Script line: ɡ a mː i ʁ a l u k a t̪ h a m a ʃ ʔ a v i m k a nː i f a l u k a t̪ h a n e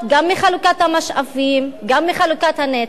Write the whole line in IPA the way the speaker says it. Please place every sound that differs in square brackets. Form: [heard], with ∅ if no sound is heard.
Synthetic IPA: ɡ a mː i [χ] a l u k a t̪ h a m a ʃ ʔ a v i m [ɡ] a [mː] i [χ] a l u k a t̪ h a n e